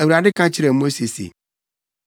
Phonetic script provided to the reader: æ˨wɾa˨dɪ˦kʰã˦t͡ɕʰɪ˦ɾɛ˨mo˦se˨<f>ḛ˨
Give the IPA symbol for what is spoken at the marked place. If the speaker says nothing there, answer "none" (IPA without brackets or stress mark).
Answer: s